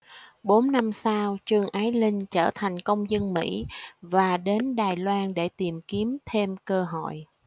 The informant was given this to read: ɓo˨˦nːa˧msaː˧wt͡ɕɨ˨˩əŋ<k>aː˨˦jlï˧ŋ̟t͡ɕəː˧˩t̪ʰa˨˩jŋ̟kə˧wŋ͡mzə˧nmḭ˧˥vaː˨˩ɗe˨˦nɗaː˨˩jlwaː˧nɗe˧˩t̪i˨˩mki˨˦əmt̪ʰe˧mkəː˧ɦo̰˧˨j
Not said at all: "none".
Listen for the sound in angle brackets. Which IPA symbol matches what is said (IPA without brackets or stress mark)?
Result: ʔ